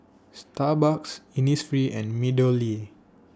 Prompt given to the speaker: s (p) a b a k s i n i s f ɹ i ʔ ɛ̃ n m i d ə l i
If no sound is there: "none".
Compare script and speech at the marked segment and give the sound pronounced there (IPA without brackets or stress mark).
t